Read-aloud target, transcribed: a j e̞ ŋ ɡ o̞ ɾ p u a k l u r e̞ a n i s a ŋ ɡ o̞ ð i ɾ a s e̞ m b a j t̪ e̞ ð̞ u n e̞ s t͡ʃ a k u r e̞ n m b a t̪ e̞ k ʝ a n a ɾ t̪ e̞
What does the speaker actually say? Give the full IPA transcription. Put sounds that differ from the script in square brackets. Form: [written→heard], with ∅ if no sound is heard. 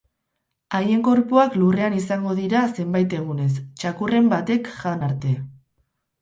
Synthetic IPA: a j e̞ ŋ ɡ o̞ ɾ p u a k l u r e̞ a n i s a ŋ ɡ o̞ ð i ɾ a s e̞ m b a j t̪ e̞ [ð̞→ɣ̞] u n e̞ s t͡ʃ a k u r e̞ [n→∅] m b a t̪ e̞ k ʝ a n a ɾ t̪ e̞